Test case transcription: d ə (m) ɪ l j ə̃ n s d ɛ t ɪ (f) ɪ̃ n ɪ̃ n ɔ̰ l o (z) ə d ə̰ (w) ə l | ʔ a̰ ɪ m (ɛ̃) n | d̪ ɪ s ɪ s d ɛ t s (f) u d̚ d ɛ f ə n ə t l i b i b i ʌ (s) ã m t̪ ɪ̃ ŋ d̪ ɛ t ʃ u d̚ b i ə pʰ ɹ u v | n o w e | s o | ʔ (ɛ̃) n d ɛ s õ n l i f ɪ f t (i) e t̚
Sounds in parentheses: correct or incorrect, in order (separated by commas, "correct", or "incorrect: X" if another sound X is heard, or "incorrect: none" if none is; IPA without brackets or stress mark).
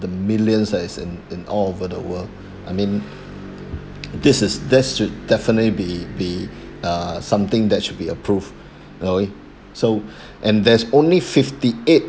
correct, incorrect: s, incorrect: v, correct, incorrect: ĩ, incorrect: ʃ, correct, correct, correct